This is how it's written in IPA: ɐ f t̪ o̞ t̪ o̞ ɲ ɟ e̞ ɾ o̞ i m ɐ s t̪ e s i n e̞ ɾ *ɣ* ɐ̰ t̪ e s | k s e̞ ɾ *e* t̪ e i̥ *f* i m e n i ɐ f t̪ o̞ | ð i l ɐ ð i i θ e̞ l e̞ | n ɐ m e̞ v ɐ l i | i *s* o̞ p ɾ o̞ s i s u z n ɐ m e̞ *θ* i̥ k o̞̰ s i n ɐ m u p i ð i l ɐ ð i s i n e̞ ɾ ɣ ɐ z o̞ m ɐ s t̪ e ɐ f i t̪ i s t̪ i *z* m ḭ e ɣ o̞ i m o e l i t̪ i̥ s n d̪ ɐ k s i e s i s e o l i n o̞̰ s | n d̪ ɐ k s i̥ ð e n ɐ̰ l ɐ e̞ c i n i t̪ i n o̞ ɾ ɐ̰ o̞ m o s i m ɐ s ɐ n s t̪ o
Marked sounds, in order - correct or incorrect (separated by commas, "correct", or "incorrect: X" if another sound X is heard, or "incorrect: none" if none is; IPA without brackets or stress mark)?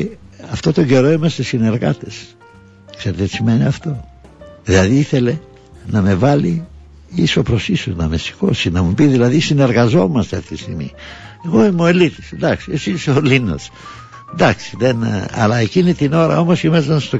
correct, correct, incorrect: s, correct, incorrect: s, incorrect: ɣ